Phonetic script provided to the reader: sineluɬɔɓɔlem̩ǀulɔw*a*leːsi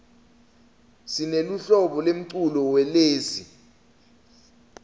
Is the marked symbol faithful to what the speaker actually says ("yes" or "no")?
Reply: no